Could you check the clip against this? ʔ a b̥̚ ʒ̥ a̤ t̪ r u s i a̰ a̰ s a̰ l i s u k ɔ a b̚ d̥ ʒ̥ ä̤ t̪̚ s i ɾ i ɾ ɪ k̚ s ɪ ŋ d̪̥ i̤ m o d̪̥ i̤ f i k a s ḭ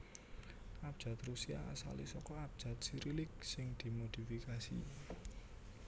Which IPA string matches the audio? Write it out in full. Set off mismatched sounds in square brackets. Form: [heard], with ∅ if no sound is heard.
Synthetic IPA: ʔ a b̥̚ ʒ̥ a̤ t̪ r u s i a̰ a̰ s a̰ l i s [ɔ] k ɔ a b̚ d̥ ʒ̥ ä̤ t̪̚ s i ɾ i [l] ɪ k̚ s ɪ ŋ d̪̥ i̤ m o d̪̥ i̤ f i k a s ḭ